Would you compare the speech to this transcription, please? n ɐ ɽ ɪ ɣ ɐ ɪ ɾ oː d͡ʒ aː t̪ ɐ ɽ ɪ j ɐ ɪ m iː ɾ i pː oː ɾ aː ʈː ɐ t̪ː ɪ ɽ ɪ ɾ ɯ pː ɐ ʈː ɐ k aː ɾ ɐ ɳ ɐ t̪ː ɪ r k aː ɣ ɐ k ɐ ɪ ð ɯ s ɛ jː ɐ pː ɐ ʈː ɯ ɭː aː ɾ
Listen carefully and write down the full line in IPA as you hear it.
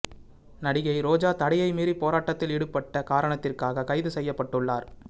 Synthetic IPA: n ɐ ɽ ɪ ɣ ɐ ɪ ɾ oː d͡ʒ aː t̪ ɐ ɽ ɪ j ɐ ɪ m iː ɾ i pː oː ɾ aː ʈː ɐ t̪ː ɪ l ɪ ɽ ɯ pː ɐ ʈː ɐ k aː ɾ ɐ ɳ ɐ t̪ː ɪ r k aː ɣ ɐ k ɐ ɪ ð ɯ s ɛ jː ɐ pː ɐ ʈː ɯ ɭː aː ɾ